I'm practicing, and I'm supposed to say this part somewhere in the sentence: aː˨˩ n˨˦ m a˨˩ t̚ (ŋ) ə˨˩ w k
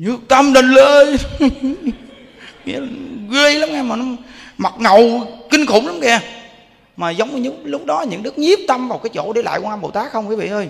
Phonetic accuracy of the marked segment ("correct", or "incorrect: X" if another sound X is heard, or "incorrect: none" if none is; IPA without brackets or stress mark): correct